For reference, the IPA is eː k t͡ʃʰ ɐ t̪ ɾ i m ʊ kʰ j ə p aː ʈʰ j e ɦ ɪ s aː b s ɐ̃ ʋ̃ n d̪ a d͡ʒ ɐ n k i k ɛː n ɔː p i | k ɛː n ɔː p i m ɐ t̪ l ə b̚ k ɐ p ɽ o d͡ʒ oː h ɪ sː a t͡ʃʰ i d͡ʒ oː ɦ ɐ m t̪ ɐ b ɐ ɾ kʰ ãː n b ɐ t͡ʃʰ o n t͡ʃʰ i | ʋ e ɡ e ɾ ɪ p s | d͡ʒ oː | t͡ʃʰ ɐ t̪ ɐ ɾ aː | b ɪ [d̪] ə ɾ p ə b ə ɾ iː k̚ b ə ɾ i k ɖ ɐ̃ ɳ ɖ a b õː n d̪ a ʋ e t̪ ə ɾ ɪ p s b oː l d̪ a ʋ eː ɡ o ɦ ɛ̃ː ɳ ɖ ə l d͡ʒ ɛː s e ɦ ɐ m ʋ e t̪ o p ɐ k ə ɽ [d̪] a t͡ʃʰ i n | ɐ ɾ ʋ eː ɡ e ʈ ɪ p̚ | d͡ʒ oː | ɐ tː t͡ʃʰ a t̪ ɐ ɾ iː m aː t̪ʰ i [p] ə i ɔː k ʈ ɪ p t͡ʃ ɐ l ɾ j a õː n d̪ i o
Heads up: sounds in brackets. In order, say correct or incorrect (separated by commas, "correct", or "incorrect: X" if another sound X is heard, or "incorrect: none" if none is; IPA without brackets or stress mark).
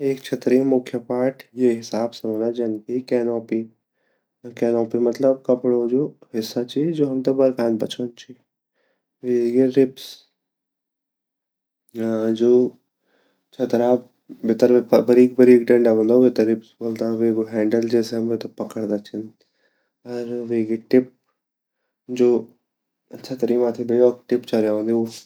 incorrect: t̪, correct, incorrect: b